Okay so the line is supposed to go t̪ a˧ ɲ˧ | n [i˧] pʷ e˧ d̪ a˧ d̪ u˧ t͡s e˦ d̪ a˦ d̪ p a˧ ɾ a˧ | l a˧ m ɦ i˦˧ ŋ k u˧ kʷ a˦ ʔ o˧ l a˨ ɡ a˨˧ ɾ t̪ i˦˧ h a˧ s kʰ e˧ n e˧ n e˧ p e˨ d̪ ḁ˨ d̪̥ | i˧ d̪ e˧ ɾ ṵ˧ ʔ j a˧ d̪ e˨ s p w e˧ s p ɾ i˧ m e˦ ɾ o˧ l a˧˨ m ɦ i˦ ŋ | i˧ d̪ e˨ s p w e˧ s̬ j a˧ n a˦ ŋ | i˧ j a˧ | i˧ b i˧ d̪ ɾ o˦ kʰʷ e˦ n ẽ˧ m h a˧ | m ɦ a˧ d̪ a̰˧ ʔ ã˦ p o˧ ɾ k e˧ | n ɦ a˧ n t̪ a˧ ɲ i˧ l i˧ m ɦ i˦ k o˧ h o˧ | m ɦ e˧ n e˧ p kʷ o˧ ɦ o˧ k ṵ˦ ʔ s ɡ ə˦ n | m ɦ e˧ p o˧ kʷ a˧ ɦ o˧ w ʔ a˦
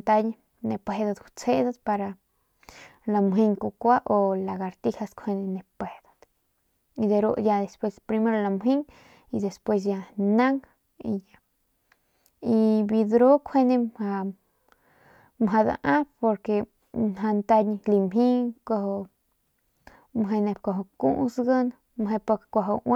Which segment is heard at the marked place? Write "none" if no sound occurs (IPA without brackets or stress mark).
e˧